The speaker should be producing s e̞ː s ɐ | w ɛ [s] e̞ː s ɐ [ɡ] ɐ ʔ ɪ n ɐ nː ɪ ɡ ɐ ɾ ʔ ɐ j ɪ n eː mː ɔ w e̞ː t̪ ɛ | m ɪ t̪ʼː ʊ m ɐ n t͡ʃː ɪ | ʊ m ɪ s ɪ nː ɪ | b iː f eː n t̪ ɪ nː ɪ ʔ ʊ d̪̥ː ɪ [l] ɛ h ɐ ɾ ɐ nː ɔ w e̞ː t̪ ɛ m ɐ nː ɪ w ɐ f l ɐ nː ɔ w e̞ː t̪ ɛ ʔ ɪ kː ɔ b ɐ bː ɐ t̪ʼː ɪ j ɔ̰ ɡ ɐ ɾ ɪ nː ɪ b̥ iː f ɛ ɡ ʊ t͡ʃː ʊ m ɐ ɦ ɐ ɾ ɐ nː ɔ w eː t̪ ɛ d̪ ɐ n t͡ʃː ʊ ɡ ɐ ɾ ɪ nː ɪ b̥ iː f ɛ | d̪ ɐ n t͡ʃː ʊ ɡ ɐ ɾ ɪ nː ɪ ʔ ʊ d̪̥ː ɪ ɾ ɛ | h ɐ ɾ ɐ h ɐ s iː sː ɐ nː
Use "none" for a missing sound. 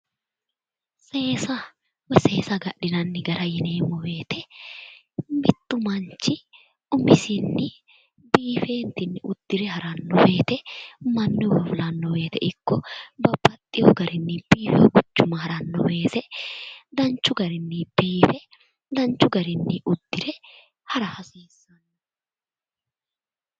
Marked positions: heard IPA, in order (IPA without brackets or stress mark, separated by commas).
s, ɡ, ɾ